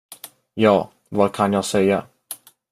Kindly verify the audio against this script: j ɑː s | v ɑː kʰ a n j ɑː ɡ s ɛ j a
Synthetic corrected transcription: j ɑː | v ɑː kʰ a n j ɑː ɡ s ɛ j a